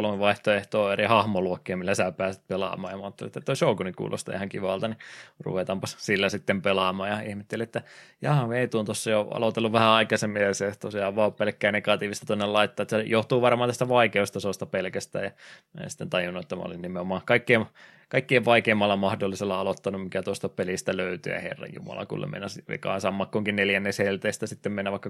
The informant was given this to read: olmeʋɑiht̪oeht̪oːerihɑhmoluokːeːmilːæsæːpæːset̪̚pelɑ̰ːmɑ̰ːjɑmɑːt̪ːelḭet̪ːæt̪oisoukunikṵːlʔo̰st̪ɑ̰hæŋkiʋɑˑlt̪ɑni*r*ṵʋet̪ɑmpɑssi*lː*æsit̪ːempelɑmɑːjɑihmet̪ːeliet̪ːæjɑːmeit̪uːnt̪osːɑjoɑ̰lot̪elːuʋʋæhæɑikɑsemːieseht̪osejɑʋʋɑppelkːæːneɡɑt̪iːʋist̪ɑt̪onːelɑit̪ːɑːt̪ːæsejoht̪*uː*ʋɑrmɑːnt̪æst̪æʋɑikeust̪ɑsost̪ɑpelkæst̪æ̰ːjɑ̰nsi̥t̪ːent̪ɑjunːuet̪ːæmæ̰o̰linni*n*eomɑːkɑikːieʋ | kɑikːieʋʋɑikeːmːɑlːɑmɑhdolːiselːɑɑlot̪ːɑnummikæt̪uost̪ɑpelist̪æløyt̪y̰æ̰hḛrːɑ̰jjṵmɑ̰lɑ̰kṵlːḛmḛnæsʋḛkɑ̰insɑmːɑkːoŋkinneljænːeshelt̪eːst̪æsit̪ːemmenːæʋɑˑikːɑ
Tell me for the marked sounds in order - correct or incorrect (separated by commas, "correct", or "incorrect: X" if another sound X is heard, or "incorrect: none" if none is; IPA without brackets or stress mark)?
correct, correct, correct, incorrect: m